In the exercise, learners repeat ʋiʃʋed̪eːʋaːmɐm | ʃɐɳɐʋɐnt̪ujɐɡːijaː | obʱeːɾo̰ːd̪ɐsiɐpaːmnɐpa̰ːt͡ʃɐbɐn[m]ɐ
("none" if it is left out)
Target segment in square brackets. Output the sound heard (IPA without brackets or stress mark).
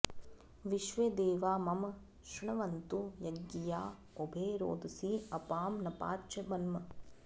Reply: m